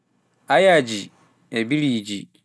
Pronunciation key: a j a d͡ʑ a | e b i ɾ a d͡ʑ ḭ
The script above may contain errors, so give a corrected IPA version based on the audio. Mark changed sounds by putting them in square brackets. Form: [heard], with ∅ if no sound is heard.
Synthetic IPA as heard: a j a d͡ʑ [i] | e b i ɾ [i] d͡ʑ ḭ